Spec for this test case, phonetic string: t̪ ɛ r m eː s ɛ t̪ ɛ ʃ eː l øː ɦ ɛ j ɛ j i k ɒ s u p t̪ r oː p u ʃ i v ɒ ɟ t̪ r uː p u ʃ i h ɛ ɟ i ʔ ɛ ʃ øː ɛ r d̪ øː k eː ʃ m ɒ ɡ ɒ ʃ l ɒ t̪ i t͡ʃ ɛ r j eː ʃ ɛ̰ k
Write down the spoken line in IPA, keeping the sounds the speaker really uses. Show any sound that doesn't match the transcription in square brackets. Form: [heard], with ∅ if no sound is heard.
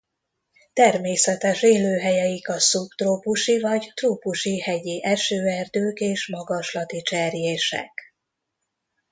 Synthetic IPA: t̪ ɛ r m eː s ɛ t̪ ɛ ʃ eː l øː ɦ ɛ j ɛ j i k ɒ s u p t̪ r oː p u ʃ i v ɒ ɟ t̪ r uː p u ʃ i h ɛ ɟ i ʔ ɛ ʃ øː ɛ r d̪ øː k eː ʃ m ɒ ɡ ɒ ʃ l ɒ t̪ i t͡ʃ ɛ r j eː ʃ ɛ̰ k